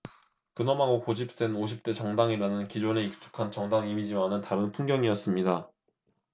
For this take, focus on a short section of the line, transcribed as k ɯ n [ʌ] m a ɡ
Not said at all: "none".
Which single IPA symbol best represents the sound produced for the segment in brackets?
ʌ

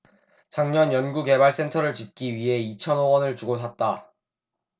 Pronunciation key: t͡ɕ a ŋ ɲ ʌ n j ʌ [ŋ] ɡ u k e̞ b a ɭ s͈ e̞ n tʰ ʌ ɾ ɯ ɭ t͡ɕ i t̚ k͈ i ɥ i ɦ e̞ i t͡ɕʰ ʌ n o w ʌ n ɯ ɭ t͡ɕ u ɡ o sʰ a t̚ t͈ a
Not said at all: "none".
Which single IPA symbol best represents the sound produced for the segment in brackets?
n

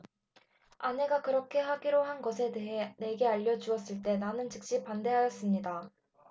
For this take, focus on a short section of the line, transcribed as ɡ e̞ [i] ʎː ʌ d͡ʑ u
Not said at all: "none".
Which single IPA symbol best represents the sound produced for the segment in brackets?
a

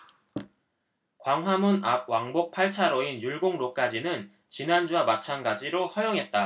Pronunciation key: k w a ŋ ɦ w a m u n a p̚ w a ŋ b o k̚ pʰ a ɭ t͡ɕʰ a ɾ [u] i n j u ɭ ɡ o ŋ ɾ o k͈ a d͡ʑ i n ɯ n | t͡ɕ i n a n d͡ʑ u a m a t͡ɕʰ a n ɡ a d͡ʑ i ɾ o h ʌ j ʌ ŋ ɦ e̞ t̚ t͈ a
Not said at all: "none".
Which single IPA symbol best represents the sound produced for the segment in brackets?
o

